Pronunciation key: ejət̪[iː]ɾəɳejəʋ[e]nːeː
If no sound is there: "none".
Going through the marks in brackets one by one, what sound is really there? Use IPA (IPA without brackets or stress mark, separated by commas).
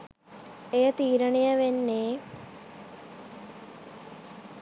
iː, e